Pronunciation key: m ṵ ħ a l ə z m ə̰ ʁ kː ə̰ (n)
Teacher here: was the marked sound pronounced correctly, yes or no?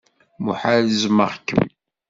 no